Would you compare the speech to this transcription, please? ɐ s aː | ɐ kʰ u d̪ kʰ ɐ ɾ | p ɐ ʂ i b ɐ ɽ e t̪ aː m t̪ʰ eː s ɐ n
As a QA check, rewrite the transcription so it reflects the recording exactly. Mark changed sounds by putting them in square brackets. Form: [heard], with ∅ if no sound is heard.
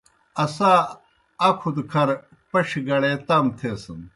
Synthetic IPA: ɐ s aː | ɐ kʰ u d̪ kʰ ɐ ɾ | p ɐ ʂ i [ɡ] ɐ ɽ e t̪ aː m t̪ʰ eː s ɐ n